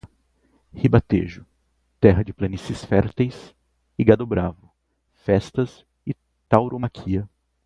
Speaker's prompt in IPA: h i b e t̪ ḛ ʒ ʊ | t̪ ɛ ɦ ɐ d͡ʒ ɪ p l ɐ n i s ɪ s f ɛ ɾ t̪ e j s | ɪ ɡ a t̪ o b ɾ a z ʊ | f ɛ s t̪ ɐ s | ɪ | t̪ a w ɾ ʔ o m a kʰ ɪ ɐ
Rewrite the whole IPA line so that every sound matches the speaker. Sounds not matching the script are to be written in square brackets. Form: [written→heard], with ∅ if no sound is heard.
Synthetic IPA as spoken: h i b [e→a] t̪ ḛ ʒ ʊ | t̪ ɛ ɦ ɐ d͡ʒ ɪ p l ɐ n i s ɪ s f ɛ ɾ t̪ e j s | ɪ ɡ a [t̪→d̪] o b ɾ a [z→v] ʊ | f ɛ s t̪ ɐ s | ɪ | t̪ a w ɾ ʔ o m a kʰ [ɪ→i] ɐ

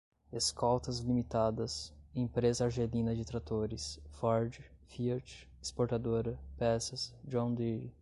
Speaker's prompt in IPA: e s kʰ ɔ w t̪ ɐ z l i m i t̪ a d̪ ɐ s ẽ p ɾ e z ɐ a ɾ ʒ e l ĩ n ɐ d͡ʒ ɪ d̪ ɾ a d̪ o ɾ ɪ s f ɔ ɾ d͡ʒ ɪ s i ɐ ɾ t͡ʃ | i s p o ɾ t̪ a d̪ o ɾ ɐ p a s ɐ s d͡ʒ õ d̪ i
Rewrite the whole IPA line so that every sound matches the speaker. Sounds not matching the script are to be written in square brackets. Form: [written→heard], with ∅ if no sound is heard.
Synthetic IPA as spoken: e s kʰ ɔ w t̪ ɐ z l i m i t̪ a d̪ ɐ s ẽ p ɾ e z ɐ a ɾ ʒ e l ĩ n ɐ d͡ʒ ɪ [d̪→t̪] ɾ a [d̪→t̪] o ɾ ɪ s f ɔ ɾ d͡ʒ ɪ [s→f] i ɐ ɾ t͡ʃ | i s p o ɾ t̪ a d̪ o ɾ ɐ p [a→ɛ] s ɐ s d͡ʒ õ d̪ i

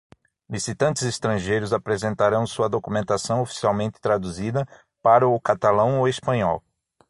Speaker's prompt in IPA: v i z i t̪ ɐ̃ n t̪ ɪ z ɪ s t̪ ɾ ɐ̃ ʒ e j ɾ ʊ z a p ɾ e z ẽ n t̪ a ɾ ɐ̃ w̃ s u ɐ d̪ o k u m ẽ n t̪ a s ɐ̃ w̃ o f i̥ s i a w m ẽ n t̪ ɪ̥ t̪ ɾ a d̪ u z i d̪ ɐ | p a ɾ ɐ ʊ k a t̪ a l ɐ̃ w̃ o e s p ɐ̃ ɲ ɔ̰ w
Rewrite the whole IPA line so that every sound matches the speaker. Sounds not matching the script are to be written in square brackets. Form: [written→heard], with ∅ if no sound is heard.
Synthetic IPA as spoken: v i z i t̪ ɐ̃ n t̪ ɪ z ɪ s t̪ ɾ ɐ̃ ʒ e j ɾ ʊ z a p ɾ e z ẽ n t̪ a ɾ ɐ̃ w̃ s u ɐ d̪ o k u m ẽ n t̪ a s ɐ̃ w̃ o f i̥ s i a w m ẽ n t̪ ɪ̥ t̪ ɾ a d̪ u z i d̪ ɐ | p a ɾ ɐ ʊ k a t̪ a l ɐ̃ w̃ o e s p ɐ̃ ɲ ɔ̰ w

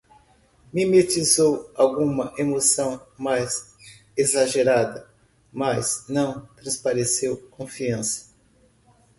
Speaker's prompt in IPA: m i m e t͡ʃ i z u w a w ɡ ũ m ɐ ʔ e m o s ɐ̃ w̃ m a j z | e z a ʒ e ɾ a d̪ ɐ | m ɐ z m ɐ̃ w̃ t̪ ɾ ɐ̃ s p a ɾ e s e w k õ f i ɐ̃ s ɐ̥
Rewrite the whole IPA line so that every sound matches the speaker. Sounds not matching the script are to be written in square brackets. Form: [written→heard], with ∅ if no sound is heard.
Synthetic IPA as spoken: m i m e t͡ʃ i z [u→o] w a w ɡ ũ m ɐ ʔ e m o s ɐ̃ w̃ m a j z | e z a ʒ e ɾ a d̪ ɐ | m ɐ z [m→n] ɐ̃ w̃ t̪ ɾ ɐ̃ s p a ɾ e s e w k õ f i ɐ̃ s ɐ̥

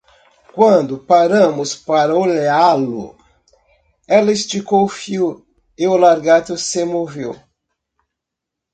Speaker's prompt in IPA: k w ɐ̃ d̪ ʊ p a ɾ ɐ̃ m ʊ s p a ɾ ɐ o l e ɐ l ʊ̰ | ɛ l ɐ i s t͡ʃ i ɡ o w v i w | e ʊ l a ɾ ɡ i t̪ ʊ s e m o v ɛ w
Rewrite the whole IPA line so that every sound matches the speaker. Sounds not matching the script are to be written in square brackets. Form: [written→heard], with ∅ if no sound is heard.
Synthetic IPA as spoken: k w ɐ̃ d̪ ʊ p a ɾ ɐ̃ m ʊ s p a ɾ ɐ o l e [ɐ→a] l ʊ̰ | ɛ l ɐ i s t͡ʃ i [ɡ→k] o w [v→f] i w | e ʊ l a ɾ ɡ [i→a] t̪ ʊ s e m o v [ɛ→e] w

